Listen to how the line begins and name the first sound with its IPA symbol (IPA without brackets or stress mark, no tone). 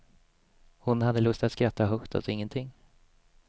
h